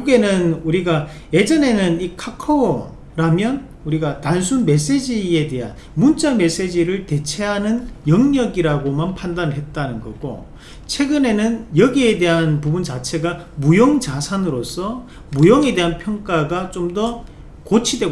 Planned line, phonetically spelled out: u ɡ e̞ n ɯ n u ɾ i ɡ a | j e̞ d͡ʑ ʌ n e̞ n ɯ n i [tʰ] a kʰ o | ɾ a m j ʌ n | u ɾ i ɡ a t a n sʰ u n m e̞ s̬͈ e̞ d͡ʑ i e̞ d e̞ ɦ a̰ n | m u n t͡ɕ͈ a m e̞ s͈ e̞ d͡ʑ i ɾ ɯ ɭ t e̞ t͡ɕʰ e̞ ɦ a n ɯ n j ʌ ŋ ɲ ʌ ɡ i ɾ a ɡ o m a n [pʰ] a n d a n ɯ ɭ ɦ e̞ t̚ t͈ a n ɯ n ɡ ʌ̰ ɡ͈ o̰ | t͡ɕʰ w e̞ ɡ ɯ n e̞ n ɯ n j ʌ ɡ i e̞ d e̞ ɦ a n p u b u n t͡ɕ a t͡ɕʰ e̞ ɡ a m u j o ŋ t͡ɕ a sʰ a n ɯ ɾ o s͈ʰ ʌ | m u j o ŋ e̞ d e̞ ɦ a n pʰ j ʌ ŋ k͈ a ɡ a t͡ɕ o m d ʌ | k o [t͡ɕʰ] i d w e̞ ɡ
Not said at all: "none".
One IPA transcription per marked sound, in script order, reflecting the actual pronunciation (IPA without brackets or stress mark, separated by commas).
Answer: kʰ, pʰ, t͡ɕʰ